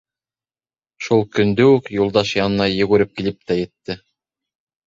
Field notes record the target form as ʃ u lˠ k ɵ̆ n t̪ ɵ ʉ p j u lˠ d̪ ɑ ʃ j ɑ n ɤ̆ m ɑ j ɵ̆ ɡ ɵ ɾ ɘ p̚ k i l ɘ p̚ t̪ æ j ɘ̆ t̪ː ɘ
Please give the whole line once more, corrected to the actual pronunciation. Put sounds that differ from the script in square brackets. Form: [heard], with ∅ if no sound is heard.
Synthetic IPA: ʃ u lˠ k ɵ̆ n [d̪] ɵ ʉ [k] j u lˠ d̪ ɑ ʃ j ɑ n ɤ̆ [n] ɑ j ɵ̆ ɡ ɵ ɾ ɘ p̚ k i l ɘ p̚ t̪ æ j ɘ̆ t̪ː ɘ